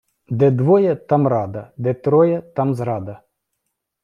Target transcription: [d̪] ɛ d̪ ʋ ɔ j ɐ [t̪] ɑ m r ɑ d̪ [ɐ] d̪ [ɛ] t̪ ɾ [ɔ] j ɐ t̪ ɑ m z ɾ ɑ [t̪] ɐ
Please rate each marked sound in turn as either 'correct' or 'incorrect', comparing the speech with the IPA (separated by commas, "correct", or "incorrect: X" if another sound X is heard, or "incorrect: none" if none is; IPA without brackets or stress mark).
correct, correct, correct, correct, correct, incorrect: d̪